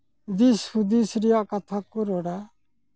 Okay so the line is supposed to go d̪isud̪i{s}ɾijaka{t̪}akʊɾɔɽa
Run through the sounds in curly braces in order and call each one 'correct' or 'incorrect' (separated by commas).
correct, incorrect